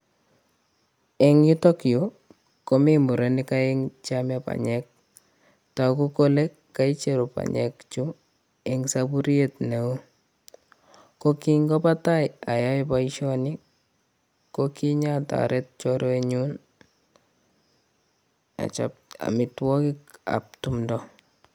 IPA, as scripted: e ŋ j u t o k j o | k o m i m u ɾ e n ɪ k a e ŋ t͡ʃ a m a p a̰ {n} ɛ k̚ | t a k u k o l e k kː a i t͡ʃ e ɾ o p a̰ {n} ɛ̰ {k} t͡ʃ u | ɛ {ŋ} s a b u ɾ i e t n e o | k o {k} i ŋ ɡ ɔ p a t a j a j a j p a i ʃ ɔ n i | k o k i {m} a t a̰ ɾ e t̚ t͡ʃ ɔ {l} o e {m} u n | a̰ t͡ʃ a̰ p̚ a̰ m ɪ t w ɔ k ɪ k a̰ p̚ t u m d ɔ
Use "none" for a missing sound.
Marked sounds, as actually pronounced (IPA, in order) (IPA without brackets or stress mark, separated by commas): ɲ, ɲ, k, ŋ, k, ɲ, ɾ, ɲ